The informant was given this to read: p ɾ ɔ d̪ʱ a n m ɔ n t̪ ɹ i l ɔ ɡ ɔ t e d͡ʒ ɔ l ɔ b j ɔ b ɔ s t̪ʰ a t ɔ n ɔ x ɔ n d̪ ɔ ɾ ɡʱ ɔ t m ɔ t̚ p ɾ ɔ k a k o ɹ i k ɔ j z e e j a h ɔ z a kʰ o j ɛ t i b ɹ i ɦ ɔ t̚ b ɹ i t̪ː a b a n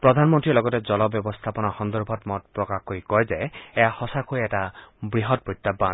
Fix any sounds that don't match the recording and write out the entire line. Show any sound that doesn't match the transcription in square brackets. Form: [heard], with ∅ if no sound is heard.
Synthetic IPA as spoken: p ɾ ɔ d̪ʱ a n m ɔ n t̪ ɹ i l ɔ ɡ ɔ t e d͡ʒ ɔ l ɔ b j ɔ b ɔ s t̪ʰ a [p] ɔ n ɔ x ɔ n d̪ ɔ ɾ [bʱ] ɔ t m ɔ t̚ p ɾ ɔ k a k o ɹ i k ɔ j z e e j a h ɔ [s] a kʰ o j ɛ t [a] b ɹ i ɦ ɔ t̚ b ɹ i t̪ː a b a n